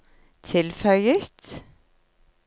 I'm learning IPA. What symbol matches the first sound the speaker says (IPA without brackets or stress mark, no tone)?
t̪ʰ